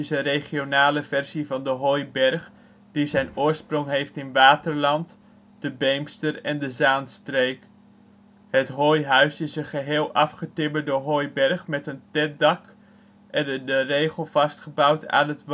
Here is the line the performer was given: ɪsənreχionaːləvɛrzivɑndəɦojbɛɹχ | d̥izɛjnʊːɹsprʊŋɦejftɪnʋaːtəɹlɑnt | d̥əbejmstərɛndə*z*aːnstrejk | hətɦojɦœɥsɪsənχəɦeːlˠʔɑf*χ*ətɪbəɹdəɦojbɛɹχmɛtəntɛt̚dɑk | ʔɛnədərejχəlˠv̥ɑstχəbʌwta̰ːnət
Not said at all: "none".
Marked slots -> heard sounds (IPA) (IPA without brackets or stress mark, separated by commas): z, χ